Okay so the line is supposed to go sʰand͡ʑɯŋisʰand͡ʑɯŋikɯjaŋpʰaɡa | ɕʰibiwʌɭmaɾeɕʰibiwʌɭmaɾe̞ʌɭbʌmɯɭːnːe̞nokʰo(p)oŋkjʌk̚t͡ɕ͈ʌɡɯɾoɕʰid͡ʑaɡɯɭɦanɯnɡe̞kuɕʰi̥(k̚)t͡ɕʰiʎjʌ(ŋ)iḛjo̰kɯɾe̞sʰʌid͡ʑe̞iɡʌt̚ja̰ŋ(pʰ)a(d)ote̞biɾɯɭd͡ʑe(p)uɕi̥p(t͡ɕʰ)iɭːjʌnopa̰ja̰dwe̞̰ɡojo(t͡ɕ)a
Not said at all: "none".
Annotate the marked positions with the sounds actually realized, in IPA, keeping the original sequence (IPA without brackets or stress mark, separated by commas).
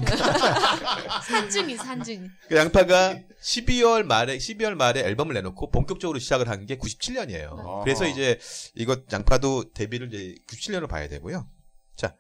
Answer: p, p̚, ɲ, pʰ, d, k, t͡ɕʰ, t͡ɕ